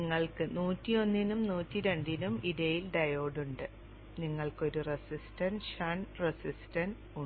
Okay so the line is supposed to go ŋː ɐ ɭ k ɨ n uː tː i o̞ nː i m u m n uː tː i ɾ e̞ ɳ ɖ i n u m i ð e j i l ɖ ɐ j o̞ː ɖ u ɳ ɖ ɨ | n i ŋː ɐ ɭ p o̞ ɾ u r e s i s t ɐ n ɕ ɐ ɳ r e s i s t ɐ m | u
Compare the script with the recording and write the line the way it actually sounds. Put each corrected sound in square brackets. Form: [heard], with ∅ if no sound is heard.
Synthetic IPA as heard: ŋː ɐ ɭ k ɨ n uː tː i o̞ nː i [n] u m n uː tː i ɾ e̞ ɳ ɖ i n u m i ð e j i l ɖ ɐ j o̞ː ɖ u ɳ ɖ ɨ | n i ŋː ɐ ɭ [k] o̞ ɾ u r e s i s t ɐ n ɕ ɐ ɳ r e s i s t ɐ [n] | u